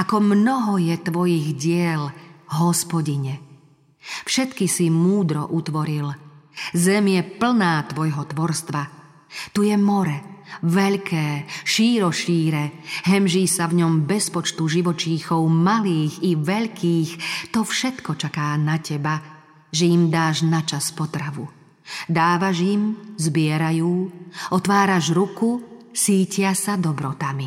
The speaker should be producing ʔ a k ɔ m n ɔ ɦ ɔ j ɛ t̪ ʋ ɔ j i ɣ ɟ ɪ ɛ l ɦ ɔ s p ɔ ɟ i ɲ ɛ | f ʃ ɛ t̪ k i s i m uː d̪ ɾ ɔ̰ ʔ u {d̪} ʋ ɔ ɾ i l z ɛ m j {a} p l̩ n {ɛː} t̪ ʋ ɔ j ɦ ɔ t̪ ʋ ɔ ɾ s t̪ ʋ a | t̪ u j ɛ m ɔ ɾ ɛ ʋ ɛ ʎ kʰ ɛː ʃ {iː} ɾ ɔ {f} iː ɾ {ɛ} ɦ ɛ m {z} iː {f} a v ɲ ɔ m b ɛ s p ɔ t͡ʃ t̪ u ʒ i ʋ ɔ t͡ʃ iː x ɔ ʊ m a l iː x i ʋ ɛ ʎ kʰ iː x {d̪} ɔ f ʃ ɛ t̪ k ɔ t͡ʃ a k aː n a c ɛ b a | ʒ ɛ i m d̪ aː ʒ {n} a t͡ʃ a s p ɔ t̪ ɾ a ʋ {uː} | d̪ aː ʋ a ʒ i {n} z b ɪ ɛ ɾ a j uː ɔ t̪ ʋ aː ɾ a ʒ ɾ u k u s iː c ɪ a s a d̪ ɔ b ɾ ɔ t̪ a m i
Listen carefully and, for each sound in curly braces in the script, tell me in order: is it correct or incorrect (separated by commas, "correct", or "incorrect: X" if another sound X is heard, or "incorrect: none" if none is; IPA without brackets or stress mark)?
incorrect: t̪, incorrect: ɛ, incorrect: aː, correct, incorrect: ʃ, correct, incorrect: ʒ, incorrect: s, incorrect: t̪, correct, incorrect: u, incorrect: m